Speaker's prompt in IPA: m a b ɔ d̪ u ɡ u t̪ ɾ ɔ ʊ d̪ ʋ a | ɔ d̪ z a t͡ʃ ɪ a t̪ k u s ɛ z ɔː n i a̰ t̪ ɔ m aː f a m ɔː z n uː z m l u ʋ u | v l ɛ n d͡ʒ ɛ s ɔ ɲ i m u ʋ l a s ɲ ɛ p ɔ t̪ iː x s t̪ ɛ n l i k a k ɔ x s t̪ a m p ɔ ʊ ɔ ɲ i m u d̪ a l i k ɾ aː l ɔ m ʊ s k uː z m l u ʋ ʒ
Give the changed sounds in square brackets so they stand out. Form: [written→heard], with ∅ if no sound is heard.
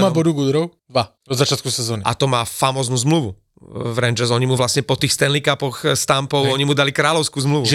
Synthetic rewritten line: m a b ɔ d̪ u ɡ u [t̪→d̪] ɾ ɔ ʊ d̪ ʋ a | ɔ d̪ z a t͡ʃ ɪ a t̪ k u s ɛ z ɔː n i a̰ t̪ ɔ m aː f a m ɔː z n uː z m l u ʋ u | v [l→ɾ] ɛ n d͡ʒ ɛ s ɔ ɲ i m u ʋ l a s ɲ ɛ p ɔ t̪ iː x s t̪ ɛ n l i k a [k→p] ɔ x s t̪ a m p ɔ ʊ ɔ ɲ i m u d̪ a l i k ɾ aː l ɔ [m→∅] ʊ s k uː z m l u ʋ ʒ